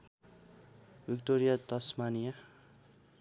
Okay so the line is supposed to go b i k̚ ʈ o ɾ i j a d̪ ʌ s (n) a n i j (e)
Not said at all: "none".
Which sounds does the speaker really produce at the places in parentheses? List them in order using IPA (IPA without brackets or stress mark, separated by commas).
m, a